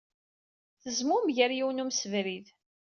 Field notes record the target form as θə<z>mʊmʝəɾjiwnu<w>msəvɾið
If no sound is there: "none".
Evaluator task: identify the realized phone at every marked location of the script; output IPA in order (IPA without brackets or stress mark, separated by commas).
z, none